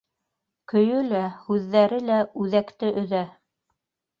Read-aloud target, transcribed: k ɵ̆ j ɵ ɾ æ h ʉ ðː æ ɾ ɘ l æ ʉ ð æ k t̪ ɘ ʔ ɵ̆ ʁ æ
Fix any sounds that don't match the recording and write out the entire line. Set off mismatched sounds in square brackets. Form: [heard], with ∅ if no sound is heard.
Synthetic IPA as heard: k ɵ̆ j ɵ [l] æ h ʉ ðː æ ɾ ɘ l æ ʉ ð æ k t̪ ɘ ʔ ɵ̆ [ð] æ